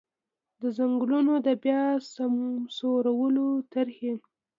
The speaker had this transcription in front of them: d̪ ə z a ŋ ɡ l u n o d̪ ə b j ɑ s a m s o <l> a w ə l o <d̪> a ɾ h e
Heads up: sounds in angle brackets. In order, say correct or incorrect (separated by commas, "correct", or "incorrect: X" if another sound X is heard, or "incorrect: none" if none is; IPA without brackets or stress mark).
incorrect: ɾ, incorrect: t̪